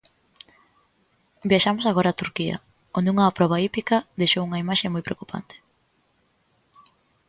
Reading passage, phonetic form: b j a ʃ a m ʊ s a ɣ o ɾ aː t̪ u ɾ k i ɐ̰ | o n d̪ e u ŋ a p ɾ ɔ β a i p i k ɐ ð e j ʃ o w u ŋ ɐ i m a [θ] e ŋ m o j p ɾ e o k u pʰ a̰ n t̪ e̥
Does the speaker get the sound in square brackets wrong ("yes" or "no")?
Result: yes